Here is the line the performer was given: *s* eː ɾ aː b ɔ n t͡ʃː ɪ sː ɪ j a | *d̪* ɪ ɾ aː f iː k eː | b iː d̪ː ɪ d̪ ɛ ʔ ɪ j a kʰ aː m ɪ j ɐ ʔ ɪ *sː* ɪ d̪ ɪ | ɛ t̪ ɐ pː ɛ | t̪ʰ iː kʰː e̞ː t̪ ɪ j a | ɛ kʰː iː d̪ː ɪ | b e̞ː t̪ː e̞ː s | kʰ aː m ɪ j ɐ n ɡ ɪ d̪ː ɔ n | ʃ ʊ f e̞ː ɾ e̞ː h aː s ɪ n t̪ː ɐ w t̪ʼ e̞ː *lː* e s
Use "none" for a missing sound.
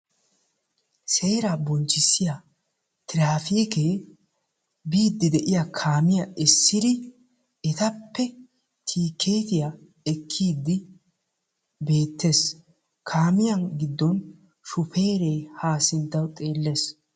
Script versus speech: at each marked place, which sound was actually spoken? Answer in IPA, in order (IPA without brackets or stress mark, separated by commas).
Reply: s, t̪, sː, lː